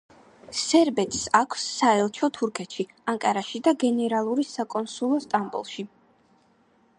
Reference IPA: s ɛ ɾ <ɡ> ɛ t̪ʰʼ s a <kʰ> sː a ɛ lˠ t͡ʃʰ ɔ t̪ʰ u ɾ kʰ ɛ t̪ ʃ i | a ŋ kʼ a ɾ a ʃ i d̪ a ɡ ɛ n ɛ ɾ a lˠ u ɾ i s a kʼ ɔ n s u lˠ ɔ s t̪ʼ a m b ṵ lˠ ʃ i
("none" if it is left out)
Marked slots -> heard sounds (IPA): b, kʰ

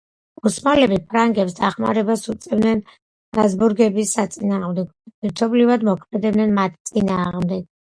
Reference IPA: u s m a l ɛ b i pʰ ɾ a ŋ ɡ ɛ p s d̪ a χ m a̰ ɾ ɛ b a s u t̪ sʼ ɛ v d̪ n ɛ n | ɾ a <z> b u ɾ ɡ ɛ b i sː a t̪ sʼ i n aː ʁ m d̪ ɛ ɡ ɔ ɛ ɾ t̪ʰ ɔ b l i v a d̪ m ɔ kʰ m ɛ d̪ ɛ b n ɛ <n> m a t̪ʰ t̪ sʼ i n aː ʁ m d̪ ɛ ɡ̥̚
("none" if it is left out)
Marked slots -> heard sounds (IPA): z, n

